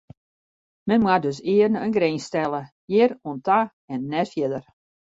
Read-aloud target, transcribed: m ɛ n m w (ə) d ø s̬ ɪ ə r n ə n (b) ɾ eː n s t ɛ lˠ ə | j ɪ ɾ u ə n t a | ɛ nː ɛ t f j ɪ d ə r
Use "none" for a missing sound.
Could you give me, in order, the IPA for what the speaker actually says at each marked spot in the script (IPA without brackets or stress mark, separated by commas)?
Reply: a, ɡ